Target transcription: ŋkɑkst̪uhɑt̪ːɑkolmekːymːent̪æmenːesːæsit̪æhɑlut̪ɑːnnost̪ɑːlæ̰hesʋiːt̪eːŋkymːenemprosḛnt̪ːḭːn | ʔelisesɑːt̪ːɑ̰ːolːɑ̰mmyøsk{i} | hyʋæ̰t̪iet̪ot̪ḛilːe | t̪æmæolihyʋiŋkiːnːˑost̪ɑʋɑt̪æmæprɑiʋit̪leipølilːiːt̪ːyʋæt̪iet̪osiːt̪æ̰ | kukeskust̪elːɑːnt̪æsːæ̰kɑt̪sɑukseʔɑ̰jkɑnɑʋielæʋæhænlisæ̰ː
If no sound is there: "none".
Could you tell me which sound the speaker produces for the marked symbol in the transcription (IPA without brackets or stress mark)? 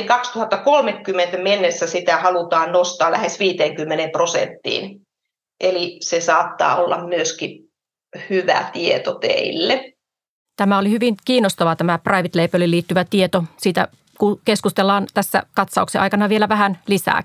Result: i